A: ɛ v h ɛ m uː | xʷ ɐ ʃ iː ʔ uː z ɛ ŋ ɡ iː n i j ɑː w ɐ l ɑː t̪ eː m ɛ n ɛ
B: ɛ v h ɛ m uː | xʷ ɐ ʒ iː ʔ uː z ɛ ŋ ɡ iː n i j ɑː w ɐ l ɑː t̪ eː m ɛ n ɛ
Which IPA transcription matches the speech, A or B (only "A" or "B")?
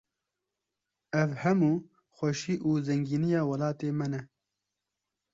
A